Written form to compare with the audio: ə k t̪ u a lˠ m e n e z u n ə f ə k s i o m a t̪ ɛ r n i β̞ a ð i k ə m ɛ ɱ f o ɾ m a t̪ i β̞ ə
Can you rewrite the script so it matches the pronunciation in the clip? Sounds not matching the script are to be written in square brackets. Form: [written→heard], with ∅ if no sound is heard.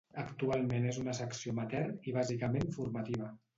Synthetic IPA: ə k t̪ u a lˠ m e n e z u n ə [f→s] ə k s i o m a t̪ ɛ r n i β̞ a [ð→z] i k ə m [ɛ→e] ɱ f [o→u] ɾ m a t̪ i β̞ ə